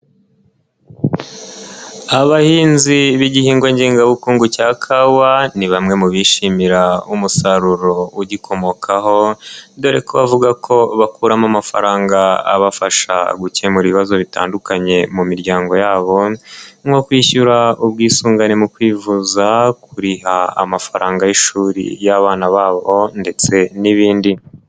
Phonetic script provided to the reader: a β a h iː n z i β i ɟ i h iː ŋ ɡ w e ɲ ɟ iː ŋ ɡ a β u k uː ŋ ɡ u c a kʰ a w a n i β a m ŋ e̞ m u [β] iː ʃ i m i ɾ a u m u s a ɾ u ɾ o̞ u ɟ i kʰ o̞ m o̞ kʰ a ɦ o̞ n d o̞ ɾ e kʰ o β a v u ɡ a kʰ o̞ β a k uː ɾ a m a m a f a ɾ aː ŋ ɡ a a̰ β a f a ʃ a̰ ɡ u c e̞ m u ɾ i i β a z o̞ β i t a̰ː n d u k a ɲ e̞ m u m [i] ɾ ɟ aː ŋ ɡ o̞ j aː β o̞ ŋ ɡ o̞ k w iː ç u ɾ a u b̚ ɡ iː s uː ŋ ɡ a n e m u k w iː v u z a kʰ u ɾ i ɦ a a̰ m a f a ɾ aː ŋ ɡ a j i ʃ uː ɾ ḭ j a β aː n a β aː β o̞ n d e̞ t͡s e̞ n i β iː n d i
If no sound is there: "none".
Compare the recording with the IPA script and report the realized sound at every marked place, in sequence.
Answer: β, i

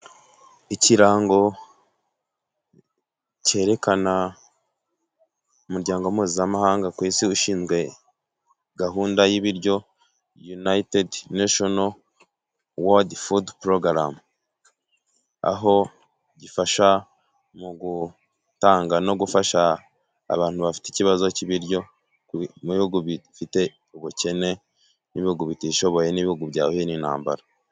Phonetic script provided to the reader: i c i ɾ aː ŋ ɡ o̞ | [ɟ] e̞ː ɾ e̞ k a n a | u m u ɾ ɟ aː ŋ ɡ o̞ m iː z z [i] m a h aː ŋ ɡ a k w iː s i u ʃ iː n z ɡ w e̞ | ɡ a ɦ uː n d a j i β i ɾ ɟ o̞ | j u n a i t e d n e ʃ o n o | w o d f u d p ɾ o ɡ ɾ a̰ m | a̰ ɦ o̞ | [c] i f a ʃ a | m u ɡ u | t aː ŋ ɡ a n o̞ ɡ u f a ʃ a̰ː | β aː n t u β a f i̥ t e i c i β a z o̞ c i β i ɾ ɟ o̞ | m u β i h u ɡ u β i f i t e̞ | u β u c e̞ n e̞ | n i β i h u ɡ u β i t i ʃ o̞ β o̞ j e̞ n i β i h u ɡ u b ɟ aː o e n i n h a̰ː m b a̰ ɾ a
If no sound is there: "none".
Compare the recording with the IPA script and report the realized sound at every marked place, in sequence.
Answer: c, a, ɟ

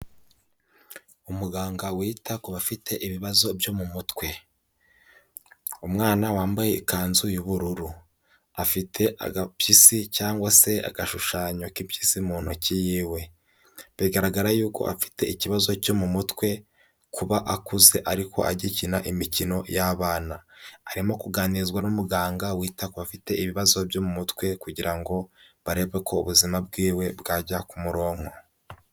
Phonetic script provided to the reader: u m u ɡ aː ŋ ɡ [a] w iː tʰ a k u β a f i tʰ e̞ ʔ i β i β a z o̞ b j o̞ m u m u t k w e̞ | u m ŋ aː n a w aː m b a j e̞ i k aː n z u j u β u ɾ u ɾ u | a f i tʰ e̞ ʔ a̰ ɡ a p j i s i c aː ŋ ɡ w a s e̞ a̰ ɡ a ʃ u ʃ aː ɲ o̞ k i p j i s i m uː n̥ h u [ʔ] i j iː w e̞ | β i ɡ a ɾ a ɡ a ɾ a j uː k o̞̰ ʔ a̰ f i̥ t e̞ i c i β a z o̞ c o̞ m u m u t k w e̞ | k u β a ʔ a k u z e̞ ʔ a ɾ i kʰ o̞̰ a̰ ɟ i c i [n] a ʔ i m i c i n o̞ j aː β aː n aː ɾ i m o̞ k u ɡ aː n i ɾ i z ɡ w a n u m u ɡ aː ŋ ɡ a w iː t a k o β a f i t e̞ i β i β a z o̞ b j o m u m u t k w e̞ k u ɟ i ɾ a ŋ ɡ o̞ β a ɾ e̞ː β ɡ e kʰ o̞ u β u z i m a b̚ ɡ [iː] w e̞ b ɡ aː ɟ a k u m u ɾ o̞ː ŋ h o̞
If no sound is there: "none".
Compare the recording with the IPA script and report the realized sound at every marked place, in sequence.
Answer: a, c, n, iː

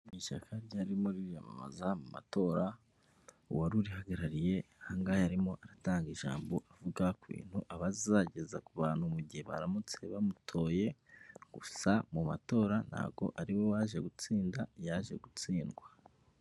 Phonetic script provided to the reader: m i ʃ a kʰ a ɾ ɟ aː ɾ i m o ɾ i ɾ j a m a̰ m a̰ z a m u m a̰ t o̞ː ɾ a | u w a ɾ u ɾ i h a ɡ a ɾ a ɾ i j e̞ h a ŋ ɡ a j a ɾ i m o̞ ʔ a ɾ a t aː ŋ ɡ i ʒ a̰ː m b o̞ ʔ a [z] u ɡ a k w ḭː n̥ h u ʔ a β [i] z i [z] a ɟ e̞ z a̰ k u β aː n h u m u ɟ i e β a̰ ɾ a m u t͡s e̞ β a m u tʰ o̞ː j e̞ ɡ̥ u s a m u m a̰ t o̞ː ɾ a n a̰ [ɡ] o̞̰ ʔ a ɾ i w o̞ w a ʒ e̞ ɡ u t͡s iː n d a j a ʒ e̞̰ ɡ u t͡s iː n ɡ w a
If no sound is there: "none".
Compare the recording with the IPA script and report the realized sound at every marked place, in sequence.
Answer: v, a, z, ɡ

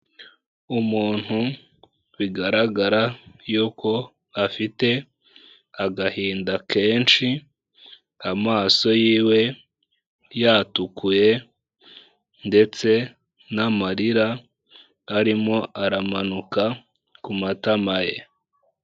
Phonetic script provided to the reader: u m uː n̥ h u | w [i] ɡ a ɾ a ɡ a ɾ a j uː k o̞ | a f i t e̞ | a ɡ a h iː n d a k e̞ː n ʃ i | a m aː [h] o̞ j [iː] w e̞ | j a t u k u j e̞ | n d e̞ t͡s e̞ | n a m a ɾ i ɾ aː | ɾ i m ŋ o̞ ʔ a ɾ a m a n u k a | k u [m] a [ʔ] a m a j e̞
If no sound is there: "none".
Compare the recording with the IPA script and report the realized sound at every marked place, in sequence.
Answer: i, s, iː, m, t

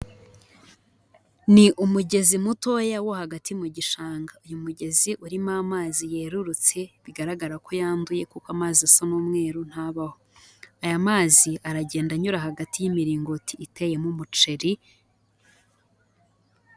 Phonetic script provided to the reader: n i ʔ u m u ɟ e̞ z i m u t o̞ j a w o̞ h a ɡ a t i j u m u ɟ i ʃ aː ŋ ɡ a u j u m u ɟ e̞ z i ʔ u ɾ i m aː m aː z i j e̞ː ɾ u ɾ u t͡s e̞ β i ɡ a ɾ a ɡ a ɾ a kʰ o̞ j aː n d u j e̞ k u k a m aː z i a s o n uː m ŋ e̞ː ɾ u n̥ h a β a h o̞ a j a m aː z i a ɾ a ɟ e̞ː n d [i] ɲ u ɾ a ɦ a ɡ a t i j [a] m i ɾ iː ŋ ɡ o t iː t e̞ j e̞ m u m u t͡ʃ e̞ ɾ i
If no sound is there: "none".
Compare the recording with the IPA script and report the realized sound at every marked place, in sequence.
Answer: a, i

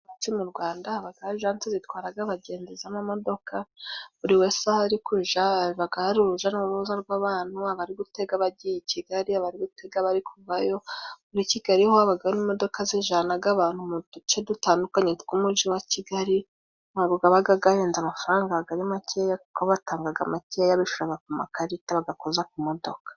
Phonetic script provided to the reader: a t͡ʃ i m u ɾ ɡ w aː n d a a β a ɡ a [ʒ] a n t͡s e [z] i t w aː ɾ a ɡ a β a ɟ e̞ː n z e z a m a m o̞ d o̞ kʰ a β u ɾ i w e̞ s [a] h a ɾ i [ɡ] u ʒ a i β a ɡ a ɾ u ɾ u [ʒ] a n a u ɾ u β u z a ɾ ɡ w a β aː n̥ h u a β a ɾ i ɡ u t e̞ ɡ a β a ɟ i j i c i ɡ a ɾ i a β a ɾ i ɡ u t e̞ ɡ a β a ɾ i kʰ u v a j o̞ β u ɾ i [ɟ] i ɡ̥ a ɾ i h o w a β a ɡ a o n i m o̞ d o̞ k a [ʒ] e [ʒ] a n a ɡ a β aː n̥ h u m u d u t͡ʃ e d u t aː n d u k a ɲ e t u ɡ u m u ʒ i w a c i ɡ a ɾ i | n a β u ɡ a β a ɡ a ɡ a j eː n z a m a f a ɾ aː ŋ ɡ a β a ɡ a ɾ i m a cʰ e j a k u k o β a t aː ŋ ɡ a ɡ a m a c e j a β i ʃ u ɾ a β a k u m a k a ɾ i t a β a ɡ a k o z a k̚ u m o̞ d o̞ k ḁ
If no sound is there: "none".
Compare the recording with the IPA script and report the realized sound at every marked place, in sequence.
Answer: ʒ, z, a, k, ʒ, c, z, ʒ

